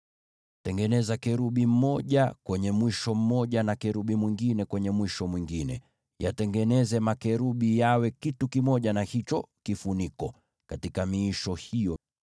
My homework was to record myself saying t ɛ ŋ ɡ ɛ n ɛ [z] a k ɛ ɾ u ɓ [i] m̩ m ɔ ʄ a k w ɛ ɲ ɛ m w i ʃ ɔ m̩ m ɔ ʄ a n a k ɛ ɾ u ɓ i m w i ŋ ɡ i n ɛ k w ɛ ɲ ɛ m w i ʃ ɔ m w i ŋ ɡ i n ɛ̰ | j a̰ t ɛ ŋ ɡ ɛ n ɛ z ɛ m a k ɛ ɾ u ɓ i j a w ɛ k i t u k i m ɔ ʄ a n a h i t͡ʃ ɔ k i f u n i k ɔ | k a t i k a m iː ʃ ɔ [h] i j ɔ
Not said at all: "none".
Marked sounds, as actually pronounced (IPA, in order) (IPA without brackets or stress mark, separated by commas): z, i, h